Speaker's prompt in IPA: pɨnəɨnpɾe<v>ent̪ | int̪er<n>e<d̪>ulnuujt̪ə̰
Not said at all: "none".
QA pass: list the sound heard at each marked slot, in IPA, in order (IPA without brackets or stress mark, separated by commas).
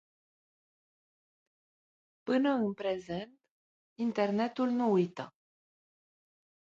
z, n, t̪